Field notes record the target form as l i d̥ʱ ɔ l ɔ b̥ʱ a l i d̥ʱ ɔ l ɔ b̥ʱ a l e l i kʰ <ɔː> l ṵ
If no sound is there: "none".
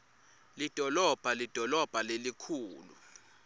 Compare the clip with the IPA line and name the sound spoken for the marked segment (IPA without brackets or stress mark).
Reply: uː